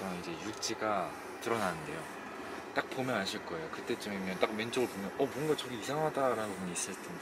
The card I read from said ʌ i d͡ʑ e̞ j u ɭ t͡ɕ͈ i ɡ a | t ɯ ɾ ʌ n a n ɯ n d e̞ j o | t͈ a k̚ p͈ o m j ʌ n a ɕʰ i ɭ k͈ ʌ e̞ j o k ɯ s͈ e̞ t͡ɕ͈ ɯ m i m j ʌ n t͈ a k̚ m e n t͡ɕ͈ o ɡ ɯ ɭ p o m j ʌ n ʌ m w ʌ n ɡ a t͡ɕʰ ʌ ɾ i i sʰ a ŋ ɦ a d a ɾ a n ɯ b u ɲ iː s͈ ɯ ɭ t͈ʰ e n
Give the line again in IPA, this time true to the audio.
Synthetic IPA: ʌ i d͡ʑ e̞ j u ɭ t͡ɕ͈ i ɡ a | t ɯ ɾ ʌ n a n ɯ n d e̞ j o | t͈ a k̚ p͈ o m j ʌ n a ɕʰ i ɭ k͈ ʌ e̞ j o k ɯ t͈ e̞ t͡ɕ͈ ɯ m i m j ʌ n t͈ a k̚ m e n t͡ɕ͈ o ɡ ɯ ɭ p o m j ʌ n ʌ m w ʌ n ɡ a t͡ɕ ʌ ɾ i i sʰ a ŋ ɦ a d a ɾ a n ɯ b u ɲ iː s͈ ɯ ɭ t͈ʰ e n